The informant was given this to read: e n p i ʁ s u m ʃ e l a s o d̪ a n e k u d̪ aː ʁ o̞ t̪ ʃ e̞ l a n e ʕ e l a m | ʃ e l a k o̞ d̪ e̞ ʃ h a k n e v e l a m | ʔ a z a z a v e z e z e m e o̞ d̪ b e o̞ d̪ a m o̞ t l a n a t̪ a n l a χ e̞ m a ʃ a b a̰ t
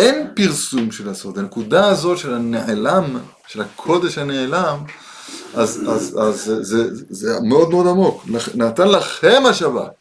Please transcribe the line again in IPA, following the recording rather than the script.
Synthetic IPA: e n p i ʁ s u m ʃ e l a s o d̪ a n e k u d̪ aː z o̞ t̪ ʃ e̞ l a n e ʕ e l a m | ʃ e l a kʰ o̞ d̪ e̞ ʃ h a n e ʕ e l a m | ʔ a z a z a z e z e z e m e o̞ d̪ m e o̞ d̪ a m o̞ k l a n a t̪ a n l a χ e̞ m a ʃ a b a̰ t